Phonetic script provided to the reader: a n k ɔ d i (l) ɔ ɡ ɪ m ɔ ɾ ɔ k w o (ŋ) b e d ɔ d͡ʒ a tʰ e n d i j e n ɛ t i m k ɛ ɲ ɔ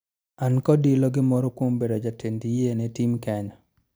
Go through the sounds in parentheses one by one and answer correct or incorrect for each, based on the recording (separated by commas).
correct, incorrect